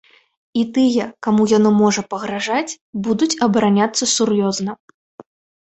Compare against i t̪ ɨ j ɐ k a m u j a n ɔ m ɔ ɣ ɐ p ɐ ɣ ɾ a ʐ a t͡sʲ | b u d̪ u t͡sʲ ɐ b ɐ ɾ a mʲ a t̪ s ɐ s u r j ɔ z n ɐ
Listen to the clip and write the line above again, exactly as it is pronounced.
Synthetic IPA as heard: i t̪ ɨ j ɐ k a m u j a n ɔ m ɔ ʐ ɐ p ɐ ɣ ɾ a ʐ a t͡sʲ | b u d̪ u t͡sʲ ɐ b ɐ ɾ a nʲ a t̪ sː ɐ s u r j ɔ z n ɐ